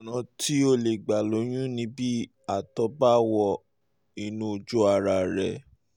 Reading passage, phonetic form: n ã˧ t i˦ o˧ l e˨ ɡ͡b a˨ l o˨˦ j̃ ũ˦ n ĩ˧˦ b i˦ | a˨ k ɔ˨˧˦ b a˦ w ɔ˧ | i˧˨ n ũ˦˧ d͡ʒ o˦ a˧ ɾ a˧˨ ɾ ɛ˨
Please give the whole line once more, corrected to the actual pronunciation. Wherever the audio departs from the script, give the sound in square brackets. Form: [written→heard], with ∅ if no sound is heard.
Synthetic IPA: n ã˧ t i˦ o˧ l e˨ ɡ͡b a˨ l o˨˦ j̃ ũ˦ n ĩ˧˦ b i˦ | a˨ [k→t] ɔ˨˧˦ b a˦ w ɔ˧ | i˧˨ n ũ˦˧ d͡ʒ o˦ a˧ ɾ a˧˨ ɾ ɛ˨